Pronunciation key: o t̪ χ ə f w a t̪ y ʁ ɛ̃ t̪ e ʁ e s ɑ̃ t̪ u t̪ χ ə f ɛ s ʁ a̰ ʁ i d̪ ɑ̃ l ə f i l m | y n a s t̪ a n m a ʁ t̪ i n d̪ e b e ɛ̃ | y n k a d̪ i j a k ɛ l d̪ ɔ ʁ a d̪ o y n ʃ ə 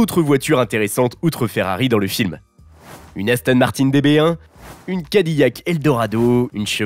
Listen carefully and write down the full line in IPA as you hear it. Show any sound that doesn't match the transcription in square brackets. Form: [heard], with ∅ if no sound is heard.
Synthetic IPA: o t̪ χ ə [v] w a t̪ y ʁ ɛ̃ t̪ e ʁ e s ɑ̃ t̪ u t̪ χ ə f ɛ [∅] ʁ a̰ ʁ i d̪ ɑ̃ l ə f i l m | y n a s t̪ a n m a ʁ t̪ i n d̪ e b e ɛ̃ | y n k a d̪ i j a k ɛ l d̪ ɔ ʁ a d̪ o y n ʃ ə